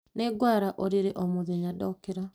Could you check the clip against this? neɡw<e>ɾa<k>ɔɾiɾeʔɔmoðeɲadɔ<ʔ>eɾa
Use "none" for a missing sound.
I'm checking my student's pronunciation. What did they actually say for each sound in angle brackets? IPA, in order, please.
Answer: a, ʔ, k

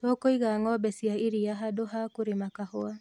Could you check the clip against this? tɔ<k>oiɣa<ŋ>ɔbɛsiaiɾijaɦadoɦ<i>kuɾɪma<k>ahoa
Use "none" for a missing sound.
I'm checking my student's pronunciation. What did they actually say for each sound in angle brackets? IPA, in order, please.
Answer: k, ŋ, a, k

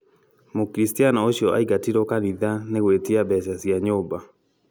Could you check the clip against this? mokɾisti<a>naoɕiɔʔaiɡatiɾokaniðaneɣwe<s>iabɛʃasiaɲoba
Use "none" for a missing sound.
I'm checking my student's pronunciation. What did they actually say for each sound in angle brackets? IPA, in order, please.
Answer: a, t

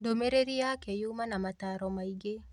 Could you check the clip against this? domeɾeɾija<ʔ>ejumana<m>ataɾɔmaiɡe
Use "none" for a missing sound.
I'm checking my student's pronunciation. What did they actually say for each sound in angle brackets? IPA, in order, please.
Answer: k, m

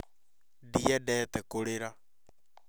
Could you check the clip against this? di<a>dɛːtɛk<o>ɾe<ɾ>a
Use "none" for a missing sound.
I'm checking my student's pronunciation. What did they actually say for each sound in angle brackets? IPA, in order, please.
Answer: ɛ, o, ɾ

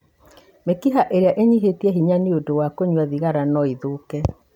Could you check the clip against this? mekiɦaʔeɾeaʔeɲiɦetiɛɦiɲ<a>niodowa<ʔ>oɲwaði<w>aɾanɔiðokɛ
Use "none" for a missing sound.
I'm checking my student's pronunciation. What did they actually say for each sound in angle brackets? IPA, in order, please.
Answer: a, k, ɣ

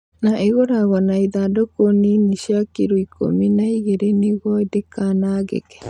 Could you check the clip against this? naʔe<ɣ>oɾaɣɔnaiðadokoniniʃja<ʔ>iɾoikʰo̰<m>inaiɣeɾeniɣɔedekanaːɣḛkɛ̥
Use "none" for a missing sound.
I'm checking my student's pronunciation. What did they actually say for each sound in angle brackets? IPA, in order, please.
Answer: ɣ, k, m

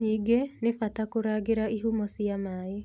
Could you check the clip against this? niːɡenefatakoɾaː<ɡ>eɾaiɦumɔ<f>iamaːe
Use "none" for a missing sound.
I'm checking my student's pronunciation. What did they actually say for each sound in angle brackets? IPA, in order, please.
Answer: ɡ, s

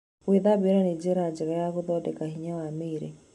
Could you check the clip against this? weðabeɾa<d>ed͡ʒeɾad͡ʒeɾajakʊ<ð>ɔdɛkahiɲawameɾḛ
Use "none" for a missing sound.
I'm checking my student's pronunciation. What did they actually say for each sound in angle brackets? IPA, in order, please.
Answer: n, ð

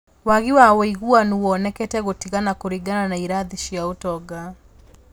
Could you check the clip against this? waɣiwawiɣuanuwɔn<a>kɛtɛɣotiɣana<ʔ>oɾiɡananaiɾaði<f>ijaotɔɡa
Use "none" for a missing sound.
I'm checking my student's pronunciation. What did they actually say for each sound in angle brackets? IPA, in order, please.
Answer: ɛ, k, ʃ

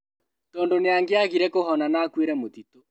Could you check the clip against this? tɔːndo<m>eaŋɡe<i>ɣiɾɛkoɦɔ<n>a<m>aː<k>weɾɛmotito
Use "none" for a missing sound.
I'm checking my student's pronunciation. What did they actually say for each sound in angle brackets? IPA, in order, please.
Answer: n, a, n, n, k

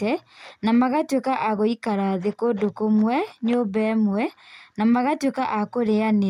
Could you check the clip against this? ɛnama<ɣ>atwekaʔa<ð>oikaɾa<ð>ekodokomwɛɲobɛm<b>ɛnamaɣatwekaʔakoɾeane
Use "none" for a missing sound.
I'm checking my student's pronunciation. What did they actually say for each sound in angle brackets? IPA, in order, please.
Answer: ɣ, ɣ, ð, w

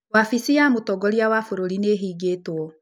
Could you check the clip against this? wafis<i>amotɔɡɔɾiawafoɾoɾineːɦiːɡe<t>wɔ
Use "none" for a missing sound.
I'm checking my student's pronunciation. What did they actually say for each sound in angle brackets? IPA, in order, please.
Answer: i, t

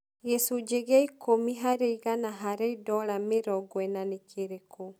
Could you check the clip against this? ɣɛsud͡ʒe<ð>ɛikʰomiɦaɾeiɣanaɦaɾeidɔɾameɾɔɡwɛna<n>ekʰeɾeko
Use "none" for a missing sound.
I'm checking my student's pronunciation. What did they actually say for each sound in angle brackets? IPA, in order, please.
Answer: ɣ, n

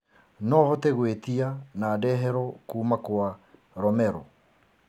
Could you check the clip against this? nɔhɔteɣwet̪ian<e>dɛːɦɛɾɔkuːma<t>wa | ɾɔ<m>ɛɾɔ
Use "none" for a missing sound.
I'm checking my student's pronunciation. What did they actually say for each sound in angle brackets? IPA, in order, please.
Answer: a, k, m

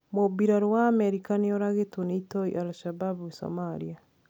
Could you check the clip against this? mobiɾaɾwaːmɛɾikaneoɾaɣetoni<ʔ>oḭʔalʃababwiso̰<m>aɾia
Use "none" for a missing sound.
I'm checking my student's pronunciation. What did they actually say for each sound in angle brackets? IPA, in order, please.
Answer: t, m

